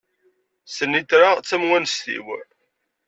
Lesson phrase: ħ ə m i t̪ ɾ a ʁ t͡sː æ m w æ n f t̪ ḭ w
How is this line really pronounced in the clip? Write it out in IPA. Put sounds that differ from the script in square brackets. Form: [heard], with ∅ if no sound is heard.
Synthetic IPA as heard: [s] ə [n] i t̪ ɾ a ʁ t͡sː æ m w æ n [s] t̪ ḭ w